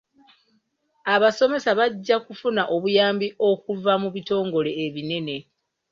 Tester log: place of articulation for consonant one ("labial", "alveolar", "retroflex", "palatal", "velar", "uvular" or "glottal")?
labial